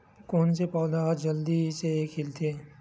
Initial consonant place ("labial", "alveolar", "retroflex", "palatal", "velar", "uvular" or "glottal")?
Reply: velar